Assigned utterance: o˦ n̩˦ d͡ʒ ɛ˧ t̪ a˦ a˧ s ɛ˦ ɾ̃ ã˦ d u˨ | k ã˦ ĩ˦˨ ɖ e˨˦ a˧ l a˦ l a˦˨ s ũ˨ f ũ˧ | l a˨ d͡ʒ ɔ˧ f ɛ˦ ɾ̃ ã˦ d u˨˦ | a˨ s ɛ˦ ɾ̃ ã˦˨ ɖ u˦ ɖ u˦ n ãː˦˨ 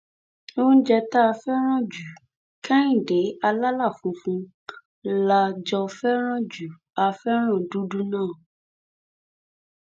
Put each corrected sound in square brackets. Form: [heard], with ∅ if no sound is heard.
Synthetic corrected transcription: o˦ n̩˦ d͡ʒ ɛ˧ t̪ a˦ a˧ [f] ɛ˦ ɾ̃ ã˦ [d͡ʒ] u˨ | k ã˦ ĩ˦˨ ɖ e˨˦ a˧ l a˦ l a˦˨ [f] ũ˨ f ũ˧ | l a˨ d͡ʒ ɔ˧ f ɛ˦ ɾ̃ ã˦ [d͡ʒ] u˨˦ | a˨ [f] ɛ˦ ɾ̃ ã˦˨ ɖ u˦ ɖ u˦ n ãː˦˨